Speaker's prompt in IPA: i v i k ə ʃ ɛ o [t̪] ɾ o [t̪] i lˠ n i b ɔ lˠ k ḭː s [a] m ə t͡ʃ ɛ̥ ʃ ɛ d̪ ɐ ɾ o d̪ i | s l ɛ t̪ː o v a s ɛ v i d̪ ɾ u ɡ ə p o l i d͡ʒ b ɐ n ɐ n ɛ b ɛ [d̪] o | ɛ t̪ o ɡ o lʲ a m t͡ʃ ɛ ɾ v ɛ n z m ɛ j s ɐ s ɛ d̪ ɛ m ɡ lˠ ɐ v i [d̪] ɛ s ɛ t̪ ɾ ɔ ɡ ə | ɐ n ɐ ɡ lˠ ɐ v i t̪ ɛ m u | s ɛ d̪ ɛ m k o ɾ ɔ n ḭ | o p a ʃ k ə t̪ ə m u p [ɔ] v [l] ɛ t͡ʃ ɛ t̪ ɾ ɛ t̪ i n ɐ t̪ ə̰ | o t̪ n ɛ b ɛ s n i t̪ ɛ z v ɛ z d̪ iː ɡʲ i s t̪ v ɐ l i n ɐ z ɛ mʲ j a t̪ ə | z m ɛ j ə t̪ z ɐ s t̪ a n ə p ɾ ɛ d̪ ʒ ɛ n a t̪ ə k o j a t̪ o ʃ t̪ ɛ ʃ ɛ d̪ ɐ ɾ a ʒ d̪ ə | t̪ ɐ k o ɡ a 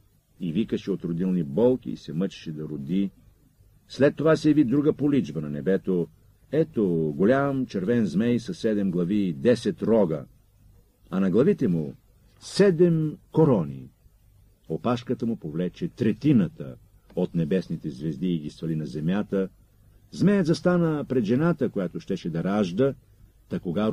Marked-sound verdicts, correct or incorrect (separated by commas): correct, incorrect, incorrect, incorrect, correct, incorrect, correct